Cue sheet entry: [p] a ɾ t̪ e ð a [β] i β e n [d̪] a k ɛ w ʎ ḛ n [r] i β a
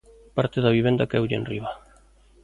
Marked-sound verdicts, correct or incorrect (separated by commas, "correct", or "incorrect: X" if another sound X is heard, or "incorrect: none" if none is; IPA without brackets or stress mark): correct, correct, correct, correct